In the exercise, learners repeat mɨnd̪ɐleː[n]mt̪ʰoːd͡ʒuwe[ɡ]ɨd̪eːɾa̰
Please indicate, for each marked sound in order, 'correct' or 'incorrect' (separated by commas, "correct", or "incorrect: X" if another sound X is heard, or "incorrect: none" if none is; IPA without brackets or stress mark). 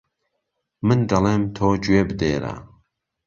incorrect: none, incorrect: b